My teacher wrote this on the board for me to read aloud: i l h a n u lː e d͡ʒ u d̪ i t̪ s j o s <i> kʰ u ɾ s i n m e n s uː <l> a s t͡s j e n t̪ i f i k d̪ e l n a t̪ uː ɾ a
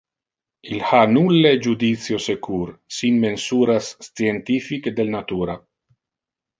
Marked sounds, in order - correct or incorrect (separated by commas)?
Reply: incorrect, incorrect